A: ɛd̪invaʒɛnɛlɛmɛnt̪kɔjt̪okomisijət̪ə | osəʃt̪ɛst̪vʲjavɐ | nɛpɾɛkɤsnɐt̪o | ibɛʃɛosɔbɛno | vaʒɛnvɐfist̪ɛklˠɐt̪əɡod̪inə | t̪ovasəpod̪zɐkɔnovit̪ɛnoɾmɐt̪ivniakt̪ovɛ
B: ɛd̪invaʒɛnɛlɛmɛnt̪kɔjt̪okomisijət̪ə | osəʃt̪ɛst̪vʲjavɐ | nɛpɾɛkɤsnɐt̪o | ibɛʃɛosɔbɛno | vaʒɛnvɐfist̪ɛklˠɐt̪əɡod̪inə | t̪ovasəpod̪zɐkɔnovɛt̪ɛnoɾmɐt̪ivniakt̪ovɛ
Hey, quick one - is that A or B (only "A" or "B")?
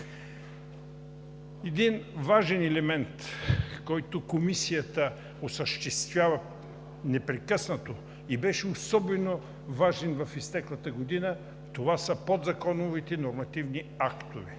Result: A